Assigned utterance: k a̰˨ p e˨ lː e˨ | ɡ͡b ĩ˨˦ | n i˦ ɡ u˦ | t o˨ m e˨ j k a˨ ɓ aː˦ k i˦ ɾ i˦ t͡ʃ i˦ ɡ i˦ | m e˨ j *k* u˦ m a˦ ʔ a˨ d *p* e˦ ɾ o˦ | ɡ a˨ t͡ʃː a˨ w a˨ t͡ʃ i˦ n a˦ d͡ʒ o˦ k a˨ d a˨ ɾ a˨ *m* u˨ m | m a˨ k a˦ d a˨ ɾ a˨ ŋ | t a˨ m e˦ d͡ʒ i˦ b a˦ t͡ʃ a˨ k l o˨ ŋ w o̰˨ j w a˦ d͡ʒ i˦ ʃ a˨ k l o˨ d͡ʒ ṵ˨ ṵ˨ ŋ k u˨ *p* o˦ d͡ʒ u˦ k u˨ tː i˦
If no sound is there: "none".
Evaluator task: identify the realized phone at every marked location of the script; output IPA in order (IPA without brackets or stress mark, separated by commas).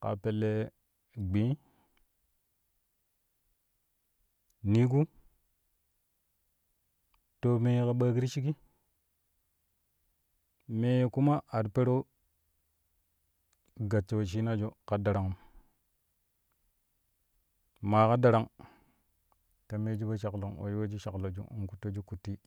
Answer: k, p, ŋ, t